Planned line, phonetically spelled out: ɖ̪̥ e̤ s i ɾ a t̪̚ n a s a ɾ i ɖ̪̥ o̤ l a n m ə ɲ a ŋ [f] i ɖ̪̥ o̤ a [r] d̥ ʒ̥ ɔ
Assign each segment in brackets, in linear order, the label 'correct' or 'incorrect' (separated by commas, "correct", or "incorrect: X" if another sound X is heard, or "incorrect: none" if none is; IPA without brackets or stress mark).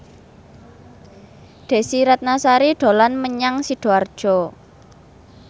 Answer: incorrect: s, correct